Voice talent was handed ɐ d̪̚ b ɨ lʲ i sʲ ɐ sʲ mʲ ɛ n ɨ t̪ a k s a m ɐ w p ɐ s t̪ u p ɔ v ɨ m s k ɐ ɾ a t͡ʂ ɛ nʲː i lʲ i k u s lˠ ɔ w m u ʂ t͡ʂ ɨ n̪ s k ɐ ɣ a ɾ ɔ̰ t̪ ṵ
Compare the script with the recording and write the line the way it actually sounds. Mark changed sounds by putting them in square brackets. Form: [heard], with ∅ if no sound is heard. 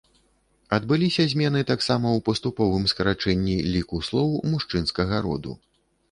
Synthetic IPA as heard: ɐ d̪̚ b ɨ lʲ i sʲ ɐ [zʲ] mʲ ɛ n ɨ t̪ a k s a m ɐ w p ɐ s t̪ u p ɔ v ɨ m s k ɐ ɾ a t͡ʂ ɛ nʲː i lʲ i k u s lˠ ɔ w m u ʂ t͡ʂ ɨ n̪ s k ɐ ɣ [ɐ] ɾ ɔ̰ [d̪] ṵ